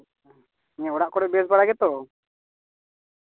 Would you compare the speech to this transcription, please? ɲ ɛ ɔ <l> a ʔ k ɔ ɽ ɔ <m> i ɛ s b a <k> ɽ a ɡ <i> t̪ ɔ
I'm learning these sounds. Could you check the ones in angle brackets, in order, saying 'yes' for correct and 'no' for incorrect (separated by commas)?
no, no, no, no